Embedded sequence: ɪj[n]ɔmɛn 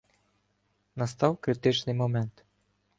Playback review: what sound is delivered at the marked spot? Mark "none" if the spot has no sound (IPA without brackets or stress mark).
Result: m